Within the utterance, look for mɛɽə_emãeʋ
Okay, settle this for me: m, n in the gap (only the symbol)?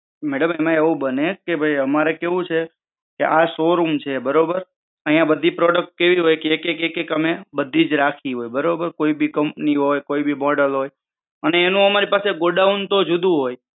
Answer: m